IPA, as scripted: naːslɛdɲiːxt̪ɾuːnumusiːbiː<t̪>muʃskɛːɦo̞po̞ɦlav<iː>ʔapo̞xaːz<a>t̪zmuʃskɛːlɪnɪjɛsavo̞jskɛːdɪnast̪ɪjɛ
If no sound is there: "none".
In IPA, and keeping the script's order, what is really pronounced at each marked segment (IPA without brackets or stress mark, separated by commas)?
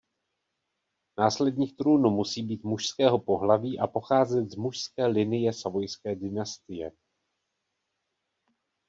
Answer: t̪, iː, ɛ